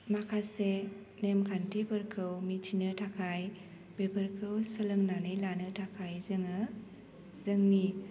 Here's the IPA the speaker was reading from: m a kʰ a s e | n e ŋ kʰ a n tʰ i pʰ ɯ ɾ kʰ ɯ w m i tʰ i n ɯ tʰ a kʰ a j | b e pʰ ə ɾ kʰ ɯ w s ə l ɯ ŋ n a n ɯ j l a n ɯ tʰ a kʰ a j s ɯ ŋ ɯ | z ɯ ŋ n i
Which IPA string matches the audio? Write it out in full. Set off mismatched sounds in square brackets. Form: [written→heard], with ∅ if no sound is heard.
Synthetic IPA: m a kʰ a s e | n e [ŋ→m] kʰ a n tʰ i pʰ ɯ ɾ kʰ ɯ w m i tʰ i n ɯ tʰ a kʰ a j | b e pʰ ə ɾ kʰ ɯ w s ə l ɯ ŋ n a n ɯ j l a n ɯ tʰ a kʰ a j [s→z] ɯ ŋ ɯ | z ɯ ŋ n i